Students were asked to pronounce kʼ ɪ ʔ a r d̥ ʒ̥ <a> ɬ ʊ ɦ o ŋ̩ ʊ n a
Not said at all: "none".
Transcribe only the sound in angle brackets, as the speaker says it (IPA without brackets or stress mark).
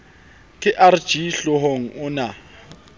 i